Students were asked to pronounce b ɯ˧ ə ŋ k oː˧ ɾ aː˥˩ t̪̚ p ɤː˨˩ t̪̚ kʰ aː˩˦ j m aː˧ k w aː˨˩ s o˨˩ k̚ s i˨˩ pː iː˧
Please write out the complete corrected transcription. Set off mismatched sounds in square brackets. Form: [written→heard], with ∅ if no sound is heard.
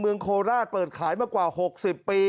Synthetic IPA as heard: [b→m] ɯ˧ ə ŋ [k→kʰ] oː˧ ɾ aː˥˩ t̪̚ p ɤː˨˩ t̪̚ kʰ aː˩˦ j m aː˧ k w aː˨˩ [s→h] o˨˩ k̚ s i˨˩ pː iː˧